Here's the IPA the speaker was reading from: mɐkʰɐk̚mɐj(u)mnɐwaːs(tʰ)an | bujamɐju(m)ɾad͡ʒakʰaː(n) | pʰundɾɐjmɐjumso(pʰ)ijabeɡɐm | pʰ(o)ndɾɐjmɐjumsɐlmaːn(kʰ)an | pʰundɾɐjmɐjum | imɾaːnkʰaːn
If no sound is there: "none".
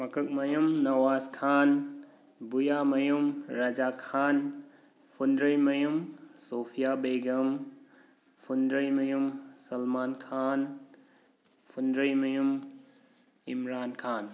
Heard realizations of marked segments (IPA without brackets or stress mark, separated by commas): u, kʰ, m, n, pʰ, u, kʰ